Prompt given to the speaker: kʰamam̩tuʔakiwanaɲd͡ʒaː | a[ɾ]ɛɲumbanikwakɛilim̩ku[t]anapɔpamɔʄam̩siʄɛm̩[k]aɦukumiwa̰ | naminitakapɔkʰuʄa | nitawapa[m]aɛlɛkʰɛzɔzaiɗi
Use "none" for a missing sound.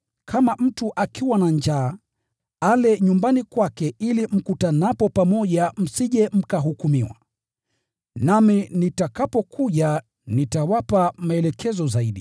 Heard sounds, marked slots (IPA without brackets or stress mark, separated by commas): l, t, k, m